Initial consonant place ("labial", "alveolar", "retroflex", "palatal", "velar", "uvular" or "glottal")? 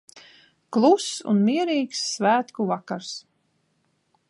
velar